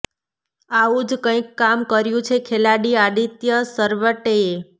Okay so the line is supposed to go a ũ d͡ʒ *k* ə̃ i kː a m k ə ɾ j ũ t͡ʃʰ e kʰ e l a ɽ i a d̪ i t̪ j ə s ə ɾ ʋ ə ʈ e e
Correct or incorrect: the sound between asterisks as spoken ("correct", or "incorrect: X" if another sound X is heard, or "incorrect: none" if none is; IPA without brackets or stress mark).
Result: correct